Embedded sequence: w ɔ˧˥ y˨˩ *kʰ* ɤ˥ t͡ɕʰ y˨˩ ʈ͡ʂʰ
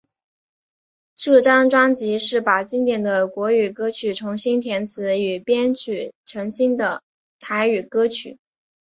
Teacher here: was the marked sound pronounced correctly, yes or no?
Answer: no